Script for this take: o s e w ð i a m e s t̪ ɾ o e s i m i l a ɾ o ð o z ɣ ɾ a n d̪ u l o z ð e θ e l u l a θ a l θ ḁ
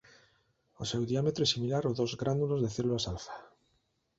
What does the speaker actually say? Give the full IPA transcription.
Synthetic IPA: o s e w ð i a m e t̪ ɾ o e s i m i l a ɾ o ð o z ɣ ɾ a n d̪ u l o z ð e θ e l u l a s a l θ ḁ